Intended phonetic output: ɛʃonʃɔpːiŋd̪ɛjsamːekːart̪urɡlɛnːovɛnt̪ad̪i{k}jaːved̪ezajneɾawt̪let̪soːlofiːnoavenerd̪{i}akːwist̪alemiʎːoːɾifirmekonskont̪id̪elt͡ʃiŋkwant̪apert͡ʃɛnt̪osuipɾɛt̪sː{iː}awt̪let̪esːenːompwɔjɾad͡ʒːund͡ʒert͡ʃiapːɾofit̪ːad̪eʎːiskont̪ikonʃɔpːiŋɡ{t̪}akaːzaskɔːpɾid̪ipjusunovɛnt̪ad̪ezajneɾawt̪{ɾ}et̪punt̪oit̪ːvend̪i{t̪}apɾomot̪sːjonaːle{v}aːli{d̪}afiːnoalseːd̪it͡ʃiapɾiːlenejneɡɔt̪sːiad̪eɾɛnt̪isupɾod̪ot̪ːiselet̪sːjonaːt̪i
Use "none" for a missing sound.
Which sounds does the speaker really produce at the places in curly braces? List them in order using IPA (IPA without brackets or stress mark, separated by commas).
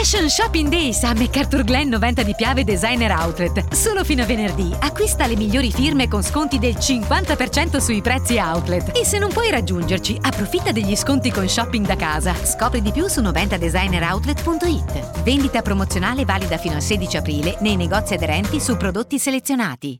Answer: p, i, i, d̪, l, t̪, v, d̪